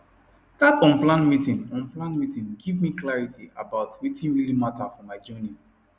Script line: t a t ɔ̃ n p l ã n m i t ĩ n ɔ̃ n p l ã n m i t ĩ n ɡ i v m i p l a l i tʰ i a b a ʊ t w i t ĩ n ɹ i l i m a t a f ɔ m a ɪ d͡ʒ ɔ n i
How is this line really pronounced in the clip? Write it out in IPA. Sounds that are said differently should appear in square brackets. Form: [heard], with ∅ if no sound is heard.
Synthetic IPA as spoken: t a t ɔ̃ n p l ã n m i t ĩ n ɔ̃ n p l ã n m i t ĩ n ɡ i v m i [k] l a [ɹ] i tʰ i a b a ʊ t w i t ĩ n ɹ i l i m a t a f ɔ m a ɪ d͡ʒ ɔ n i